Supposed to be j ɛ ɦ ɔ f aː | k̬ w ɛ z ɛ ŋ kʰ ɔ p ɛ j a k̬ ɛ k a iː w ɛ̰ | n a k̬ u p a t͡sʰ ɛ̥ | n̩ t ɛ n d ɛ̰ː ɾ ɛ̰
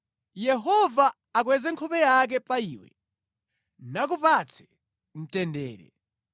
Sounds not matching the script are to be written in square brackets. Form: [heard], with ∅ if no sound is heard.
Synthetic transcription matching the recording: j ɛ ɦ ɔ [v] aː | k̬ w ɛ z ɛ ŋ kʰ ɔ p ɛ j a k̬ ɛ [p] a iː w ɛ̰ | n a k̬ u p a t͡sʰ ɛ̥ | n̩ t ɛ n d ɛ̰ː ɾ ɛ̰